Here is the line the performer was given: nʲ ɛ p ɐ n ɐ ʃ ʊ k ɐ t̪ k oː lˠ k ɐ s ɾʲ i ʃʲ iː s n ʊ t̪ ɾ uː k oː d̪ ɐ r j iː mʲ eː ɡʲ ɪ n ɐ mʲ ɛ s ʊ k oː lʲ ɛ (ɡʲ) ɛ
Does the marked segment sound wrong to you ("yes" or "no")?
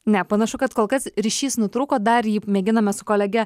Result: no